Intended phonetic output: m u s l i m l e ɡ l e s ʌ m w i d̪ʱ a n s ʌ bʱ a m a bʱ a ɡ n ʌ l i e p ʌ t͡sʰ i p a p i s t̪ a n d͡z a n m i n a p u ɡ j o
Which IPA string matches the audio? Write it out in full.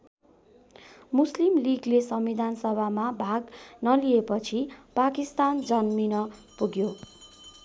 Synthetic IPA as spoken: m u s l i m l i ɡ l e s ʌ m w i d̪ʱ a n s ʌ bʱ a m a bʱ a ɡ n ʌ l i e p ʌ t͡sʰ i p a k i s t̪ a n d͡z ʌ n m i n ʌ p u ɡ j o